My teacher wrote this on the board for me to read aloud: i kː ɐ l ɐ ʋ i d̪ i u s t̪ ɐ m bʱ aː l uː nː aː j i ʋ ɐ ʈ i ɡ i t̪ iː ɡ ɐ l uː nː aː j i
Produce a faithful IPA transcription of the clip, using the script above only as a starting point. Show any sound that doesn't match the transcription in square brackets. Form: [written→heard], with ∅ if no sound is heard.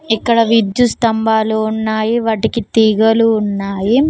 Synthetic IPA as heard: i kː ɐ [l→ɽ] ɐ ʋ i d̪ [i→j] u s t̪ ɐ m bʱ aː l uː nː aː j i ʋ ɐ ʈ i [ɡ→k] i t̪ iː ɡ ɐ l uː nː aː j i